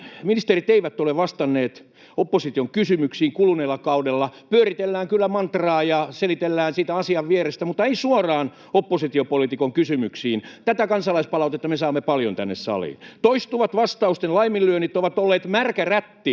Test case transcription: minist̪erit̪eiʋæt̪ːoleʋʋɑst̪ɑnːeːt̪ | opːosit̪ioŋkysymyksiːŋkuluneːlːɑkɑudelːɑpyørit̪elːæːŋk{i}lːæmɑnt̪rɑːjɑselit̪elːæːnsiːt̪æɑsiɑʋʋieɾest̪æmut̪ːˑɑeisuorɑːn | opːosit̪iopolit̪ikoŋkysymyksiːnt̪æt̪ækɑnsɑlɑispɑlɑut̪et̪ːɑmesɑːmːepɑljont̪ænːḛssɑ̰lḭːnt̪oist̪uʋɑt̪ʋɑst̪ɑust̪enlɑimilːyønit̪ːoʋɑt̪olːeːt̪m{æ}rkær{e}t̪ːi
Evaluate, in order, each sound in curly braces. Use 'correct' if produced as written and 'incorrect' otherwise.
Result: incorrect, correct, incorrect

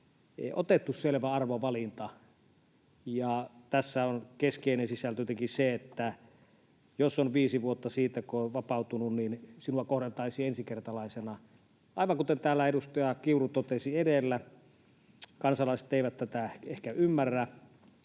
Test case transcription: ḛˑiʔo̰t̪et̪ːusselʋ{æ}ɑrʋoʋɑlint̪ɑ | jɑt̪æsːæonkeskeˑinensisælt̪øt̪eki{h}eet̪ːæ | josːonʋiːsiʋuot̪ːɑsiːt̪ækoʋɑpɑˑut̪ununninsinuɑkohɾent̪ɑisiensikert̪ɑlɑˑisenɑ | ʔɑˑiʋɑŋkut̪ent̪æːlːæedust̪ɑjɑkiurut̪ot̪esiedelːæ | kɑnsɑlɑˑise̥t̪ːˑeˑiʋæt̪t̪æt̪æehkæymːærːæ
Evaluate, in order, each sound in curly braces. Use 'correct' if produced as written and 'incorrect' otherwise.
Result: correct, incorrect

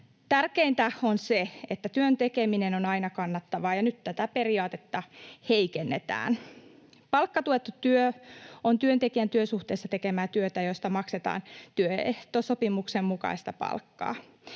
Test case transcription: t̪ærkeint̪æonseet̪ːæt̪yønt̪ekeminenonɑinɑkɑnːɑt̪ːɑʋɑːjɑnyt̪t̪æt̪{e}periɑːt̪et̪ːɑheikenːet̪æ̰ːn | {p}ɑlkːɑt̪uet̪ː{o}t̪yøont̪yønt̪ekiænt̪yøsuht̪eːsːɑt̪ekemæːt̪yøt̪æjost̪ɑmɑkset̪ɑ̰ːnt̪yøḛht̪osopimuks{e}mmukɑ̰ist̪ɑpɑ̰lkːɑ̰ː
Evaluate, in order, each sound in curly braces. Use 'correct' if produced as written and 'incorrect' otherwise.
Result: incorrect, correct, incorrect, correct

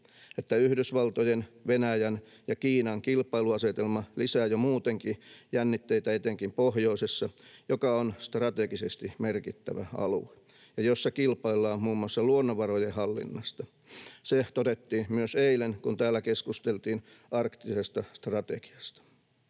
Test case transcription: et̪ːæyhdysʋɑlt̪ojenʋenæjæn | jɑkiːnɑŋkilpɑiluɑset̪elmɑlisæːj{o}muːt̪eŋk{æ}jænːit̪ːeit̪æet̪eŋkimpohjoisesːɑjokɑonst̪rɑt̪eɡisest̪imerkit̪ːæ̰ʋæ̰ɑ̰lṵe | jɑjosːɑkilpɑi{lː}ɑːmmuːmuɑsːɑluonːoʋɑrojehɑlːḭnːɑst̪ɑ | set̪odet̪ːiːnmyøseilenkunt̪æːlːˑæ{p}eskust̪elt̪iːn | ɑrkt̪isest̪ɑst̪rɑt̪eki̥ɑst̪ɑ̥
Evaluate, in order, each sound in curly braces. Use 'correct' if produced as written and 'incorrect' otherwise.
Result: correct, incorrect, correct, incorrect

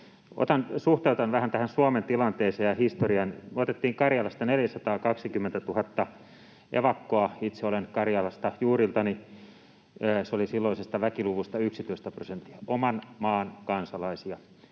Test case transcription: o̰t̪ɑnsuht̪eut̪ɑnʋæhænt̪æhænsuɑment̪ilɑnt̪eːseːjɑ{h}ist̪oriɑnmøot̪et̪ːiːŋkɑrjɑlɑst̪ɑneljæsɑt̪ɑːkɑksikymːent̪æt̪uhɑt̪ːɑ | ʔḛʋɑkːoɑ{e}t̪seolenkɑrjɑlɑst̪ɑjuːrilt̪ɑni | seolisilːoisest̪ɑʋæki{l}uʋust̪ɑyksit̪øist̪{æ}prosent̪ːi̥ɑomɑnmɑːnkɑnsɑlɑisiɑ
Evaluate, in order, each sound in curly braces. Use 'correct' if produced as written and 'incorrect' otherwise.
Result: correct, incorrect, correct, correct

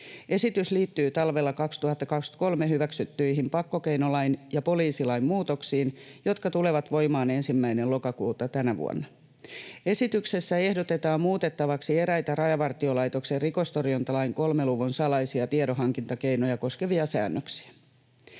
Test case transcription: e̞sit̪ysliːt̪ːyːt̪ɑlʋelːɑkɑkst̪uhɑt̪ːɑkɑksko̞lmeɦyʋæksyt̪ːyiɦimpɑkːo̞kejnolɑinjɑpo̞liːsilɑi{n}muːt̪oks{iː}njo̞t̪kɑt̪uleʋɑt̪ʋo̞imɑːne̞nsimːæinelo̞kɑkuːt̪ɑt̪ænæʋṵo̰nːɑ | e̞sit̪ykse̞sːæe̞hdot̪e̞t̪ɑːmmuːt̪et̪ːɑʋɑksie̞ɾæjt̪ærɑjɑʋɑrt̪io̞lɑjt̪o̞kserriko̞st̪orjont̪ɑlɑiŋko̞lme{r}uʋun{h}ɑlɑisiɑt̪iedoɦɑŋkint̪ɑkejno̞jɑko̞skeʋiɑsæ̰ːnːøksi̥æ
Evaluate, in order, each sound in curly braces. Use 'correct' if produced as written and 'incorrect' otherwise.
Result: incorrect, correct, incorrect, incorrect

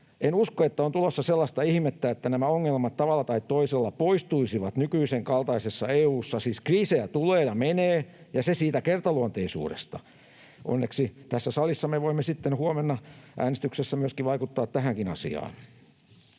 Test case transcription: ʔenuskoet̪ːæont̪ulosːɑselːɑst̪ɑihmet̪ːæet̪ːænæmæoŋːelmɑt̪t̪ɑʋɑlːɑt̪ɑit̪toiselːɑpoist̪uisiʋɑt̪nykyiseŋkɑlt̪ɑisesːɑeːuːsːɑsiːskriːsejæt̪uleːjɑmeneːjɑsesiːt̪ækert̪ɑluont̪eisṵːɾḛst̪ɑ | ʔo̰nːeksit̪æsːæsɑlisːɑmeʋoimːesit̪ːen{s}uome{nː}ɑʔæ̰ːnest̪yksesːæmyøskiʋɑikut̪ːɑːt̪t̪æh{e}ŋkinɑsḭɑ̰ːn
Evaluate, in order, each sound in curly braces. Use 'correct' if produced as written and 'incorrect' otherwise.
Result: incorrect, correct, incorrect

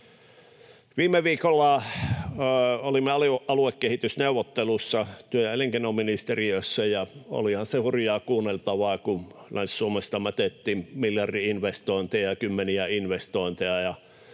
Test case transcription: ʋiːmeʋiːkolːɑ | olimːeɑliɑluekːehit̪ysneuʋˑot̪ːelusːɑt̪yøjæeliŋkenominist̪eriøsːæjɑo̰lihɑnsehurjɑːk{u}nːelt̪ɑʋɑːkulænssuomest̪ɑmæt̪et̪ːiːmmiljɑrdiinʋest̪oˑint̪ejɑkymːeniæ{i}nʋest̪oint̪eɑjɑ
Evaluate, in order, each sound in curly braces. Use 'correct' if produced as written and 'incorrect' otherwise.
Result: incorrect, correct

